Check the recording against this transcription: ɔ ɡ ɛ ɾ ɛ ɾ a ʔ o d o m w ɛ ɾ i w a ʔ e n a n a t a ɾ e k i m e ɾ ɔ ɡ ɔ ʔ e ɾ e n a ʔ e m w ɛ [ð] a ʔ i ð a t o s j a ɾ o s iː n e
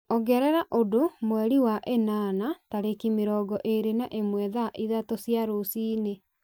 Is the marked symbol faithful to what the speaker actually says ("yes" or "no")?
yes